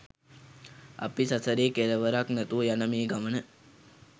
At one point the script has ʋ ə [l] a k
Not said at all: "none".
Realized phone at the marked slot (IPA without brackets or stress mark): ɾ